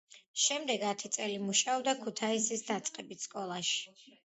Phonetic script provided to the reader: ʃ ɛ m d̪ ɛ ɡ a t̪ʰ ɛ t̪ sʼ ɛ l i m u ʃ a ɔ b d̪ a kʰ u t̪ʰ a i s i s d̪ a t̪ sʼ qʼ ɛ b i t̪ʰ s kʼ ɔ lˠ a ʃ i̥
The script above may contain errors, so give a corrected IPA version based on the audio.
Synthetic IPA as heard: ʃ ɛ m d̪ ɛ ɡ a t̪ʰ i t̪ sʼ ɛ l i m u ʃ a ɔ b d̪ a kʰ u t̪ʰ a i s i s d̪ a t̪ sʼ qʼ ɛ b i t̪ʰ s kʼ ɔ lˠ a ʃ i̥